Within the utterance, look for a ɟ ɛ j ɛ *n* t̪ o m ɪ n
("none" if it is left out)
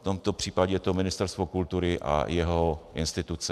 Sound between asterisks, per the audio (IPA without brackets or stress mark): none